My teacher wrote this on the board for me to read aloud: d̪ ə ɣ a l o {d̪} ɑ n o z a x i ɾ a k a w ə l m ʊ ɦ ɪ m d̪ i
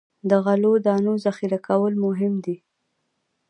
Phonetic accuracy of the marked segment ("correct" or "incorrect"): correct